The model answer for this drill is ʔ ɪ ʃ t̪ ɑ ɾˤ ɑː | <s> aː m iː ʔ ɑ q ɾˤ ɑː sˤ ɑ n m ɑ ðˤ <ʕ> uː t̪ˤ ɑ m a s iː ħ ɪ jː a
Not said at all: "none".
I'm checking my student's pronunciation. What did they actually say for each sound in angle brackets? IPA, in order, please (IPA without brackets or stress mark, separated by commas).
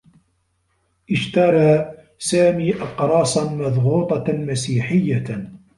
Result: s, ɣ